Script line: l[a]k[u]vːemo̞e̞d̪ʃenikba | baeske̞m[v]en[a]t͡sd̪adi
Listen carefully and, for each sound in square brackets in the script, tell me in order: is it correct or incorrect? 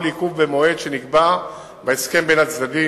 incorrect: i, correct, incorrect: b, correct

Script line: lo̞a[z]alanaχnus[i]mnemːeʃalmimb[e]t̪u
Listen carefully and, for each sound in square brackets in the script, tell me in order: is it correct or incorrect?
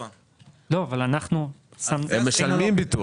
incorrect: v, incorrect: a, incorrect: i

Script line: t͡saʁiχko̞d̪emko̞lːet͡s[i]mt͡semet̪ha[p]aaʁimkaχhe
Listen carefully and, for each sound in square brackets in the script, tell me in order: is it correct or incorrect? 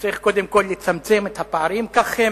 incorrect: a, correct

